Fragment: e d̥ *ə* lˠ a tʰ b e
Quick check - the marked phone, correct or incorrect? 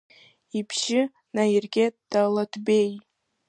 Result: incorrect